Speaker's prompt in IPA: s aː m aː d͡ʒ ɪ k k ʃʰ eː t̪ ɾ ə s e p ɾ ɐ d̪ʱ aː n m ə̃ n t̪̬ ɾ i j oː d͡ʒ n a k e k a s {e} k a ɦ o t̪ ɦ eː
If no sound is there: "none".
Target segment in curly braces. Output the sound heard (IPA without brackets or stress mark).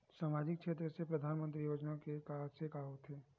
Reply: e